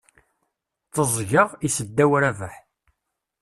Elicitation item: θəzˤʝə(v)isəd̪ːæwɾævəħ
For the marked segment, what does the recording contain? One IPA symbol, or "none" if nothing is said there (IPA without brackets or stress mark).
ʁ